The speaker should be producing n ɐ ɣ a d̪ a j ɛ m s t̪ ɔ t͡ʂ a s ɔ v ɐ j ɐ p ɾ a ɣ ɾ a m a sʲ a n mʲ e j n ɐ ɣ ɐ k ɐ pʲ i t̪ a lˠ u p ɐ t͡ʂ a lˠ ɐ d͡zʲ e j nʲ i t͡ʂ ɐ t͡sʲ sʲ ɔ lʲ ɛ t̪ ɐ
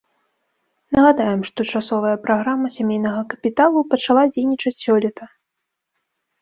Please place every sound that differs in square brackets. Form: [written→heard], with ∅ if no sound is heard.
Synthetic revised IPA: n ɐ ɣ a d̪ a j ɛ m [s→ʂ] t̪ ɔ t͡ʂ a s ɔ v ɐ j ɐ p ɾ a ɣ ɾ a m [a→ɐ] sʲ a [n→∅] mʲ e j n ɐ ɣ ɐ k ɐ pʲ i t̪ a lˠ u p ɐ t͡ʂ a lˠ [ɐ→a] d͡zʲ e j nʲ i t͡ʂ ɐ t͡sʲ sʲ ɔ lʲ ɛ t̪ ɐ